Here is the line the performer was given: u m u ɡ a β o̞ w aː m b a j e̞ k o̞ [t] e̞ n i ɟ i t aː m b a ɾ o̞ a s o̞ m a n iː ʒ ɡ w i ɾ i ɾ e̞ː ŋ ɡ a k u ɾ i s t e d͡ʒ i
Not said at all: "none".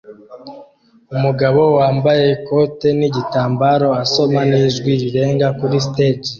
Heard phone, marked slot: t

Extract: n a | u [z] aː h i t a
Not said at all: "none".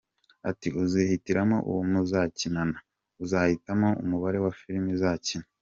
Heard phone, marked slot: z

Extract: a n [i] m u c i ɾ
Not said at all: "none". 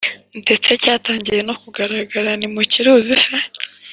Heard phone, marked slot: i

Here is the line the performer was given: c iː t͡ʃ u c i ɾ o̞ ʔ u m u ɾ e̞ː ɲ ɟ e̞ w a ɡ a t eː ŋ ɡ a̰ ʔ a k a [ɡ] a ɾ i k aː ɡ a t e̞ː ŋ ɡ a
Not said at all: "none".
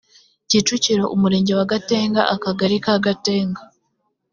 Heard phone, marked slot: ɡ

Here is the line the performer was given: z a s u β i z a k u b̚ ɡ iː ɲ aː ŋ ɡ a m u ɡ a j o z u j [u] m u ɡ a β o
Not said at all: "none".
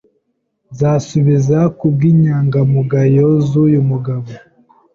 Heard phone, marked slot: u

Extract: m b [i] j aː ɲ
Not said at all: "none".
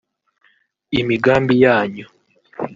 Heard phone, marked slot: i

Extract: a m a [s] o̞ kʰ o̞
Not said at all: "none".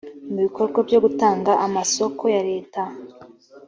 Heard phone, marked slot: s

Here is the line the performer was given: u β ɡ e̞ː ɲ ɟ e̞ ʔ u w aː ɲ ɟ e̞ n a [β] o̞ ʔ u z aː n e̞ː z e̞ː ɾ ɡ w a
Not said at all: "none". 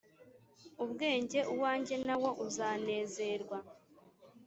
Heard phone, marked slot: w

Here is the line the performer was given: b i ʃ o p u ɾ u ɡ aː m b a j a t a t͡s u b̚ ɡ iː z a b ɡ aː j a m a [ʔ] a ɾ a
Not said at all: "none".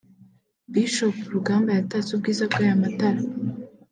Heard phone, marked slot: t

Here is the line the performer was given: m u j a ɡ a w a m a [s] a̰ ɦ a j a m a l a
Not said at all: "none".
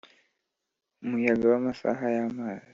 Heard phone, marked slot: s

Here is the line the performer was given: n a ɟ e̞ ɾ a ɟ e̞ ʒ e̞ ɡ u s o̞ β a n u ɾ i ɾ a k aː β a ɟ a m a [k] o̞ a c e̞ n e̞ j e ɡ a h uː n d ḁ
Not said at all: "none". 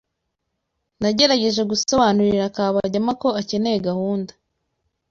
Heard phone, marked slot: k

